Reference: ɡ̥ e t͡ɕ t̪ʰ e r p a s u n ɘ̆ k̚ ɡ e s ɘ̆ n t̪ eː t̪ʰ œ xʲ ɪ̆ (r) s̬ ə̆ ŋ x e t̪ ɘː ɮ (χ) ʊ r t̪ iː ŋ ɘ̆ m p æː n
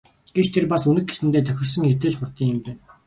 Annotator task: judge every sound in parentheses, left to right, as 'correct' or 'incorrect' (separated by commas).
correct, correct